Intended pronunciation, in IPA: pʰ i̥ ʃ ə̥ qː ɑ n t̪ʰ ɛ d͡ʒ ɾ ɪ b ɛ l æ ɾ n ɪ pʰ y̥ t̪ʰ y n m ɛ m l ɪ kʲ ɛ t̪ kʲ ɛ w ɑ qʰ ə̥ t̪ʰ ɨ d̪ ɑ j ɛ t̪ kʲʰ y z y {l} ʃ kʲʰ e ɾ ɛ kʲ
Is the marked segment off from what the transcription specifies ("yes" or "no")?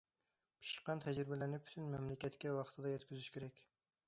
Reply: yes